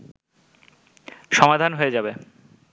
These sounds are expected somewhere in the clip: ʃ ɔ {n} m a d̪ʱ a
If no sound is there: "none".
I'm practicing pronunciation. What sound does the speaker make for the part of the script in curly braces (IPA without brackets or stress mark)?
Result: none